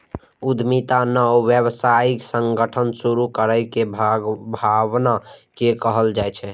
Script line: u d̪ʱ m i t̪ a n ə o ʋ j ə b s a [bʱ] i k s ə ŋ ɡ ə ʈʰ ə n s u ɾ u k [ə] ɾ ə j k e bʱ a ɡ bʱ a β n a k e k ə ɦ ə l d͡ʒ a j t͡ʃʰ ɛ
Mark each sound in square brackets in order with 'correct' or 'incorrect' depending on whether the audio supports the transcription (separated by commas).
incorrect, correct